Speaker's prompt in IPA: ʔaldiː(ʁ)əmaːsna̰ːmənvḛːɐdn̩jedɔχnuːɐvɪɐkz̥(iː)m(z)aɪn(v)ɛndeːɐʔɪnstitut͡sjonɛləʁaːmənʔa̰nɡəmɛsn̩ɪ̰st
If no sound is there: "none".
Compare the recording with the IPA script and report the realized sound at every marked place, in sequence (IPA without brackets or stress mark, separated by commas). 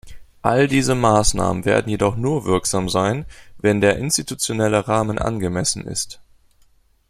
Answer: z, aː, z, v